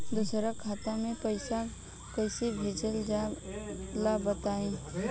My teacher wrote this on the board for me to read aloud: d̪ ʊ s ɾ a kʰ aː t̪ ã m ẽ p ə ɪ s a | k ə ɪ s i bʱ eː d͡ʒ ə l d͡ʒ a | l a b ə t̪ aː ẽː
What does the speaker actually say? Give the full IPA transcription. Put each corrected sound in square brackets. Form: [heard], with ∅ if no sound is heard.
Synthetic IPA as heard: d̪ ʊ s ɾ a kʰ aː t̪ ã m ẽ p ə ɪ s a | k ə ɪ s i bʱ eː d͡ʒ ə l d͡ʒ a | l a b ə t̪ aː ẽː